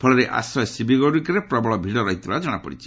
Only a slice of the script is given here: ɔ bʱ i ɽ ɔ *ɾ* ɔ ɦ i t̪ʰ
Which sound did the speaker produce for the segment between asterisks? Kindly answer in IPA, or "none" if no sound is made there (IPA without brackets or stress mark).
ɾ